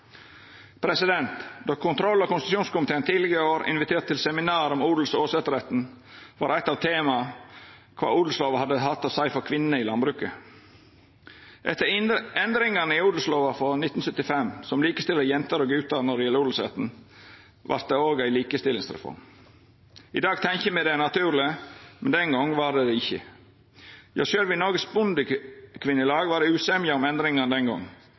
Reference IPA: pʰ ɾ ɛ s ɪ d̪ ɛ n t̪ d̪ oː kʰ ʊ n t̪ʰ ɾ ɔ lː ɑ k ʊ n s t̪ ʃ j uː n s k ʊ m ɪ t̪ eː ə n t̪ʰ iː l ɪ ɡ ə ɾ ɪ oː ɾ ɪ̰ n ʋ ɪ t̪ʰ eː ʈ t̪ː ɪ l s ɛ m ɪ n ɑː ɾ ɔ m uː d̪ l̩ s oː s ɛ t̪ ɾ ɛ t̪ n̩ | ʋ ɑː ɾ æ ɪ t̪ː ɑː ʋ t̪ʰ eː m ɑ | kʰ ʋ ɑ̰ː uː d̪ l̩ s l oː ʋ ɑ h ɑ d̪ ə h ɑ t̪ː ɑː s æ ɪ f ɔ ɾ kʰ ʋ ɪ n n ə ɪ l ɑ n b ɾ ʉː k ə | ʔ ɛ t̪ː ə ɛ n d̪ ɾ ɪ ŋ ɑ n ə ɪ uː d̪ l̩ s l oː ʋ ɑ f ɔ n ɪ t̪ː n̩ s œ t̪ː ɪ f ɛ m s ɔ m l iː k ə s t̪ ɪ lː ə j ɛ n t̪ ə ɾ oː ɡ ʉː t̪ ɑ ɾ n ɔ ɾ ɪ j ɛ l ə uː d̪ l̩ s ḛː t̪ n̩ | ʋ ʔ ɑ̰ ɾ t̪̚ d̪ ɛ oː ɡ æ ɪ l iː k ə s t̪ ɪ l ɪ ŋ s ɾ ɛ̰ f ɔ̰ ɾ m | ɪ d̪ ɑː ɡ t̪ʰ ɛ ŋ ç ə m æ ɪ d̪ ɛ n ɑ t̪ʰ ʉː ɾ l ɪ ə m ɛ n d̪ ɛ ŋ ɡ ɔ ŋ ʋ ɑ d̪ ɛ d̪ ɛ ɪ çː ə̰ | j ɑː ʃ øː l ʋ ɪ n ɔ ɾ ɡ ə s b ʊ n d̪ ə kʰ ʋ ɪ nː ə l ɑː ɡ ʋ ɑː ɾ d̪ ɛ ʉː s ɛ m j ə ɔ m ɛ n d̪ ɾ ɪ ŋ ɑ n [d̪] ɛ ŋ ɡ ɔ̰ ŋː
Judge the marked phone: correct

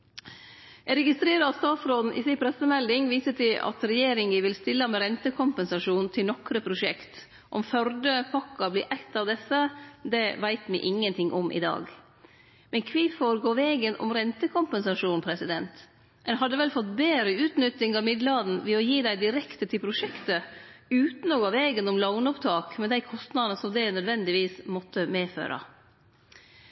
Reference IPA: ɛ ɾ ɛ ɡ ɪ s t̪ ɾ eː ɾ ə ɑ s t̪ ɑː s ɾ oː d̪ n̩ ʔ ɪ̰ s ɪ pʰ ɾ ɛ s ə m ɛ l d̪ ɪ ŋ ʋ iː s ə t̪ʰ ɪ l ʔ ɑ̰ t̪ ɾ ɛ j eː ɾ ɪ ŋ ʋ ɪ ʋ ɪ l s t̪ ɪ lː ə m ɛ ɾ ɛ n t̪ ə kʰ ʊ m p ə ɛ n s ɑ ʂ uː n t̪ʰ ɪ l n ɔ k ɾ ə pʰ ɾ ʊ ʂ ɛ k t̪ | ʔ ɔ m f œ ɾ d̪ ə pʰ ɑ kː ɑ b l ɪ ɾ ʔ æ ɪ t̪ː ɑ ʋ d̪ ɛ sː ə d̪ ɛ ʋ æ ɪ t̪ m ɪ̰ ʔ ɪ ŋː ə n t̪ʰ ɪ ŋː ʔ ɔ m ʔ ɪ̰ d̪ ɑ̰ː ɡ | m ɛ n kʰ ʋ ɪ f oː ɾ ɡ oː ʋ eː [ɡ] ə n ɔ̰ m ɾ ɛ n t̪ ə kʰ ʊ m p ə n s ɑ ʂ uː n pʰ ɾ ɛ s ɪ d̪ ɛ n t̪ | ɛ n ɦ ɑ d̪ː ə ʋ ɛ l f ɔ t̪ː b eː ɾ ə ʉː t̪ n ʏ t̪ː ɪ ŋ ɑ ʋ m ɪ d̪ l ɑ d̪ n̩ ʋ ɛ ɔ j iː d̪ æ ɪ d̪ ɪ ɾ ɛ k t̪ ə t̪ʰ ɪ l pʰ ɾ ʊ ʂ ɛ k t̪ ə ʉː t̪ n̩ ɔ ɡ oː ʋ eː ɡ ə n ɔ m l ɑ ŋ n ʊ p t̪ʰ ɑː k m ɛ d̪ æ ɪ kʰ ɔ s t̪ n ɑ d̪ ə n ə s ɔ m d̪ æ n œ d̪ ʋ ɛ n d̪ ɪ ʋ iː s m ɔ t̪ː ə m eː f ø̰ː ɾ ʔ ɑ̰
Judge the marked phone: correct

